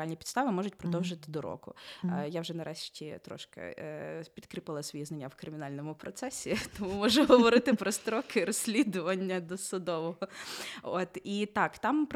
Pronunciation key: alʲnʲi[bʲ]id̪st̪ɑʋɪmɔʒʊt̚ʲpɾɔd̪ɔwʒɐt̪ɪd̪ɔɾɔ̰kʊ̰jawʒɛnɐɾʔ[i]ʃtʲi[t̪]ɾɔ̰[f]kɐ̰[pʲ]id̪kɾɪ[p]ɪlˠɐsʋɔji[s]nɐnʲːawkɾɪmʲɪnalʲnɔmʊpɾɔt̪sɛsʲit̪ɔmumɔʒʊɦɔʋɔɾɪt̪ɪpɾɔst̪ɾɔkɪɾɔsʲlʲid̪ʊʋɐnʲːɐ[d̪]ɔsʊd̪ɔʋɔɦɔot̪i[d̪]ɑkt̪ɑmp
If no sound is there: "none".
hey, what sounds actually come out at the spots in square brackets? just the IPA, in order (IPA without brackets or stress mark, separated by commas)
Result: pʲ, ɛ, t̪, ʃ, pʲ, p, z, d̪, t̪